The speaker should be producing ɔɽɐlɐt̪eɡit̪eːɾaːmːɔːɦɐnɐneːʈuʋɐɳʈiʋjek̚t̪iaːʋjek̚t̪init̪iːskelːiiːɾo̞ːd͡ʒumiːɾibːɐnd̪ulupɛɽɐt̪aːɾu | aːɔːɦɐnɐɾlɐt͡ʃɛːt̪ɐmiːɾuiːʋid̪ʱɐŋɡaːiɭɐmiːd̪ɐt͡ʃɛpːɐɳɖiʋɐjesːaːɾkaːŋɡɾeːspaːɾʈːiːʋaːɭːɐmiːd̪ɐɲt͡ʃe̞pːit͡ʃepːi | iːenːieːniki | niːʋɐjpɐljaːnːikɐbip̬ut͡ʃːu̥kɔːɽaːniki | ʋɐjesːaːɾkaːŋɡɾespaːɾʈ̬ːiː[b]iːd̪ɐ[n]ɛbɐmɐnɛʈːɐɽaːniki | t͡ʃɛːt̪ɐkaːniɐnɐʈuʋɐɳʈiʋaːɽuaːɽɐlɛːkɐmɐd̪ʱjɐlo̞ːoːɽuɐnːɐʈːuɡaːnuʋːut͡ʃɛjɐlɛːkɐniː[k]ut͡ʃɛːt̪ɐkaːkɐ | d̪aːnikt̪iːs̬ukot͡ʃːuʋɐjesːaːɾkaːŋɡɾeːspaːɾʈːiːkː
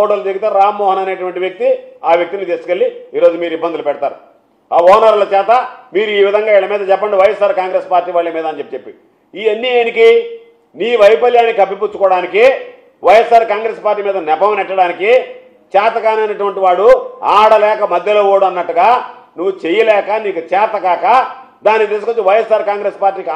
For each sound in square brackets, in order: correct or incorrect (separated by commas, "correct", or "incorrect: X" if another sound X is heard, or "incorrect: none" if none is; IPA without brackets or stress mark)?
incorrect: m, correct, correct